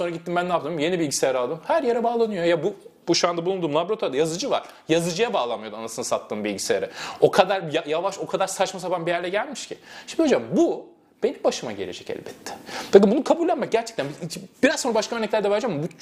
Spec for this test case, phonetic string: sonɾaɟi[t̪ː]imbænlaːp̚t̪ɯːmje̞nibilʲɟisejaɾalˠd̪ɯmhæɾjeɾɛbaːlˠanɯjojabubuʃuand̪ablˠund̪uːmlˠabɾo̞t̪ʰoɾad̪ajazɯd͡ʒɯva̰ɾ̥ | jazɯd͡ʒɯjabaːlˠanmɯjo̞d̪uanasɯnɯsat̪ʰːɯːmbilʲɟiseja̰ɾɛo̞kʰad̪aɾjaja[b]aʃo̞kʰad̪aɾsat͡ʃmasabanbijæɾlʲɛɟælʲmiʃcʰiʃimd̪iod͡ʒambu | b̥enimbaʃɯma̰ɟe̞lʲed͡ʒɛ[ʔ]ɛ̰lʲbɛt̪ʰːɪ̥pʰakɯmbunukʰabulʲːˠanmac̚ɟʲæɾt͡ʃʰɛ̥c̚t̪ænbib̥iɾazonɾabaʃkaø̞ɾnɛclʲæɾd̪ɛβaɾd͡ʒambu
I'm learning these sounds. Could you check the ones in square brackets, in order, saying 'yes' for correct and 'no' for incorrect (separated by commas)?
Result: yes, no, no